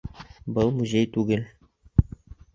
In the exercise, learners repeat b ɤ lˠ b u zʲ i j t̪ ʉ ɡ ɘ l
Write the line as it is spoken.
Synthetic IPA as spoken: b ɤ lˠ m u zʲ e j t̪ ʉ ɡ ɘ l